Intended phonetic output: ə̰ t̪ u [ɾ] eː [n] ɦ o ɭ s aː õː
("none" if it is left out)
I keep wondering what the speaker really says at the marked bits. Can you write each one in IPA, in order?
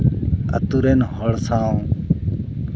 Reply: ɾ, n

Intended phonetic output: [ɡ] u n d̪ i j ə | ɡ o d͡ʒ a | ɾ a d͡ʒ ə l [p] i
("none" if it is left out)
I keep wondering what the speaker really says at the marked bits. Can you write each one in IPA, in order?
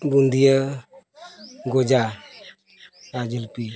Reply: b, p

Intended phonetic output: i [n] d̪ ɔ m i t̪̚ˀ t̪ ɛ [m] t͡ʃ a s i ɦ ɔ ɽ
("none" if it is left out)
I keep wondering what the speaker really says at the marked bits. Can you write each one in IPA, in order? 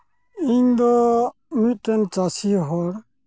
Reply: ɲ, n

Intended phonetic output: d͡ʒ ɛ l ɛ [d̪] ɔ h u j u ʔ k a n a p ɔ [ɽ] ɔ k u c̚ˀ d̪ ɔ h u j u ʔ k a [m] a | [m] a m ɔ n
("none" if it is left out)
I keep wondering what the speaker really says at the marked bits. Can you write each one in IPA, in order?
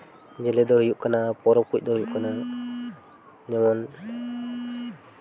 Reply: d̪, ɾ, n, ɲ

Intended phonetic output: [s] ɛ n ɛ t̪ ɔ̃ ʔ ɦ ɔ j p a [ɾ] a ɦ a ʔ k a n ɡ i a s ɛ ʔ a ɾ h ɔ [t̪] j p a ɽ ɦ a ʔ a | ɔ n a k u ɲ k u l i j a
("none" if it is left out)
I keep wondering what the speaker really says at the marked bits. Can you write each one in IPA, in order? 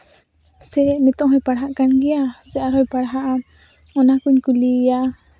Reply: s, ɽ, none

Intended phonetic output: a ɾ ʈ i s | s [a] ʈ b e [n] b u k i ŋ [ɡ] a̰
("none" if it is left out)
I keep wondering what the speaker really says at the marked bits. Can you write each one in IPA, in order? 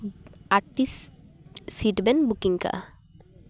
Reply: i, n, k

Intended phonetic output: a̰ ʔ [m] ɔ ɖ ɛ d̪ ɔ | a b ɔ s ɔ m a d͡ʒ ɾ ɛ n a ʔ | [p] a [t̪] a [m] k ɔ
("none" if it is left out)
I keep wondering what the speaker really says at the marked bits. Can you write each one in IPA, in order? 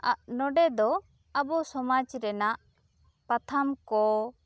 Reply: n, p, t̪ʰ, m

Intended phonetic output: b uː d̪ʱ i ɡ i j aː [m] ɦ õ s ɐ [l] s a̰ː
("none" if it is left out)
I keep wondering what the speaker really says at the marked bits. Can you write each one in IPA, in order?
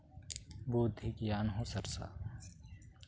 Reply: n, ɾ

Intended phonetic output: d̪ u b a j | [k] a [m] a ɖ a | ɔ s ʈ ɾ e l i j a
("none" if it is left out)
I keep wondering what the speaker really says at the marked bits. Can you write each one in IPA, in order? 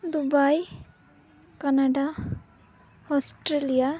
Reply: k, n

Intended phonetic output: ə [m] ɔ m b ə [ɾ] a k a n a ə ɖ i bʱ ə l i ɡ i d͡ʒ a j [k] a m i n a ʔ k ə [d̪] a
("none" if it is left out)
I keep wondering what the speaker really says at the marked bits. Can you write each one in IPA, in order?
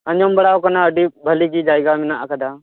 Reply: ɲ, ɽ, ɡ, d̪

